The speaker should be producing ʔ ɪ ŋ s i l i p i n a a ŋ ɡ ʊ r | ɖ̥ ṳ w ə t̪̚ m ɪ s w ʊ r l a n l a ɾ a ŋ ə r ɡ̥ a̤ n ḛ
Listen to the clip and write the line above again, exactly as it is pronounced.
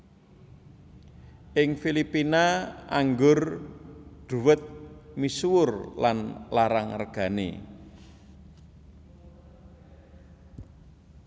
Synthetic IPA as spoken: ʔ ɪ ŋ f i l i p i n a a ŋ ɡ ʊ r | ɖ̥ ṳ w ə t̪̚ m i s w ʊ r l a n l a ɾ a ŋ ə r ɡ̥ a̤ n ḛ